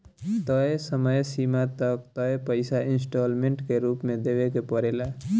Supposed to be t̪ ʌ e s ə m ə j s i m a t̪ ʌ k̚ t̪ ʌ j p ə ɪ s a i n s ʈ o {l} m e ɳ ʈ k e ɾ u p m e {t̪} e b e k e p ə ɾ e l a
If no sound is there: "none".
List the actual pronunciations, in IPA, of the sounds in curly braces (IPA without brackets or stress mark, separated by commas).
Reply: l, d̪